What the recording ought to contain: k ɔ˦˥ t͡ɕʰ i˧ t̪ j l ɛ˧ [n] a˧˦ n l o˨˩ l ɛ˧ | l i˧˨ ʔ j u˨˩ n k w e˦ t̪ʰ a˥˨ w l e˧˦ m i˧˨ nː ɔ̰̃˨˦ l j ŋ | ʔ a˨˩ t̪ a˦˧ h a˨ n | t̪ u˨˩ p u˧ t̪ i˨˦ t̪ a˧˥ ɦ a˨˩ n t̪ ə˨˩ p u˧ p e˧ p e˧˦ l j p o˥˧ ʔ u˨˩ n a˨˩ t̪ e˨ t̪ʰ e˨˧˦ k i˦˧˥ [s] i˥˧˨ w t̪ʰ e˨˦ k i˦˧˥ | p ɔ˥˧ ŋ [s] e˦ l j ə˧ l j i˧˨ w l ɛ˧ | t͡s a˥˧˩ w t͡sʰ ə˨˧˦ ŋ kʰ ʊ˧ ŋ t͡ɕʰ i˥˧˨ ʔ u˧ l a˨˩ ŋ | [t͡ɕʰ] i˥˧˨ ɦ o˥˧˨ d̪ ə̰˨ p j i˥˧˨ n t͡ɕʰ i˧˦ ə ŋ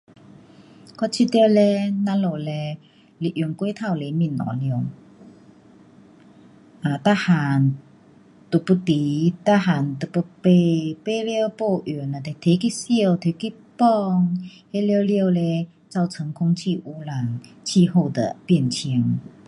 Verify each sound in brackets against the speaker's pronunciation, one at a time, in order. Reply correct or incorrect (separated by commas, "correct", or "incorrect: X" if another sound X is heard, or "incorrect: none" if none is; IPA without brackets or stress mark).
correct, correct, incorrect: h, correct